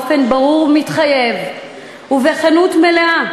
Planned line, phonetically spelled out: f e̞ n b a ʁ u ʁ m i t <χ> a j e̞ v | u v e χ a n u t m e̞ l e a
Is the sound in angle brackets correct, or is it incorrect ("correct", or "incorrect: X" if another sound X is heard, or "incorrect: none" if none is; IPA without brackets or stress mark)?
correct